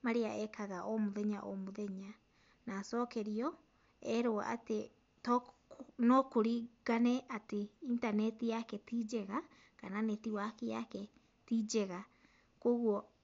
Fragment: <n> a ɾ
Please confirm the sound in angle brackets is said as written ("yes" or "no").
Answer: no